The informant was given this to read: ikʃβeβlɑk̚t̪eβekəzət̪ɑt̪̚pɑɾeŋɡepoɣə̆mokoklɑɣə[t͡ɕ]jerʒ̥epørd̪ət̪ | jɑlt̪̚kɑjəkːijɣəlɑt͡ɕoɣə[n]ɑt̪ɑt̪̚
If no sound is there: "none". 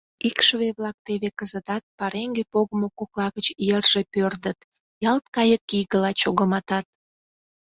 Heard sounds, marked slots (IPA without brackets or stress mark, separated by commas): t͡ɕ, m